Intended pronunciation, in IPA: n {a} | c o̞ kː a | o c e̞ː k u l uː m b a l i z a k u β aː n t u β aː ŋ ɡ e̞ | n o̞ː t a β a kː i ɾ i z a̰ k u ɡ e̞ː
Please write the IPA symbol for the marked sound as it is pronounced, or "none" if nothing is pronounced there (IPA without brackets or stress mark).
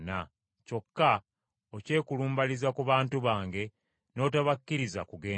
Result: a